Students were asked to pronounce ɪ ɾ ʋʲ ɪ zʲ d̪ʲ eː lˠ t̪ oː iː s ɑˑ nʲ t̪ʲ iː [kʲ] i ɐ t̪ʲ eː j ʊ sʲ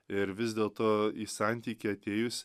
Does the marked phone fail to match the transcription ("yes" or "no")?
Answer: no